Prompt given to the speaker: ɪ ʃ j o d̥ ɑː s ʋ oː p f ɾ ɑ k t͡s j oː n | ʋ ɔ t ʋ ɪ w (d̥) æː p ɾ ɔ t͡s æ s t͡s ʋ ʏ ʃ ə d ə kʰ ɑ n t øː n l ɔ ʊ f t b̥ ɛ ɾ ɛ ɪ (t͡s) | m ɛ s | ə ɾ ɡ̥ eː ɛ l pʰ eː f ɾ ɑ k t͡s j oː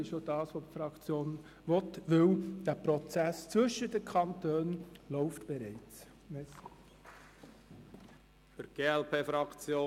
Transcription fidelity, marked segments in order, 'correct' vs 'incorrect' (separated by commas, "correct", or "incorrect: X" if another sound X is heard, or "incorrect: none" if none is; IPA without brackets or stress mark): correct, correct